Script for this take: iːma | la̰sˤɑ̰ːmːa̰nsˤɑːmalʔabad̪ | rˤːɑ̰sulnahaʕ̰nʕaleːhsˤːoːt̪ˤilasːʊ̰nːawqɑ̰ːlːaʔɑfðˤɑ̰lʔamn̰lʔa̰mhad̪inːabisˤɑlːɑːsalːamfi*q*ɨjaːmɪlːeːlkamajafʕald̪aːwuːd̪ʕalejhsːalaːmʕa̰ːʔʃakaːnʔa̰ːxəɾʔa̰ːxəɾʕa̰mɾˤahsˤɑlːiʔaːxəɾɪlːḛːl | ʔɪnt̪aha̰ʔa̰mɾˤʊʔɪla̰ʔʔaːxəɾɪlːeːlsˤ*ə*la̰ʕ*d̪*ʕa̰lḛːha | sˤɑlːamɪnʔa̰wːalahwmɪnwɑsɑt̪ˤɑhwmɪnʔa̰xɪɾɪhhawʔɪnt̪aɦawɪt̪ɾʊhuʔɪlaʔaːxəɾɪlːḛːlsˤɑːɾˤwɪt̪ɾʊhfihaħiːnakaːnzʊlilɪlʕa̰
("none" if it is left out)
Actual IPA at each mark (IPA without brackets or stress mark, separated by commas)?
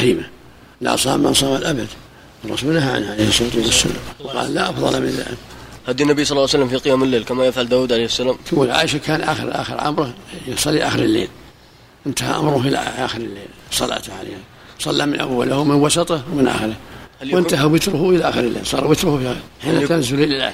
q, ɑ, t̪